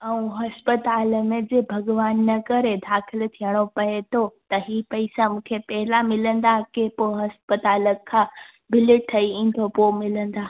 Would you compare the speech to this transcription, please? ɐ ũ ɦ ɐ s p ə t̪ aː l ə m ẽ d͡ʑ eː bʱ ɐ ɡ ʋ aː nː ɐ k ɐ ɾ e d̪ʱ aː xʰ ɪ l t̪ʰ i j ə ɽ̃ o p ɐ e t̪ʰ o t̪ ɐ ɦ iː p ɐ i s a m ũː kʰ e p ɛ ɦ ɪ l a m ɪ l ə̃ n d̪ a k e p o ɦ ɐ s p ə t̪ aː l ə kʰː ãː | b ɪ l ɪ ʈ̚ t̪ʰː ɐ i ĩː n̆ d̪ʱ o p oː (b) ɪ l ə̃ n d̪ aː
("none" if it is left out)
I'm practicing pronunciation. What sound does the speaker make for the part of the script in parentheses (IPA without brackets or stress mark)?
m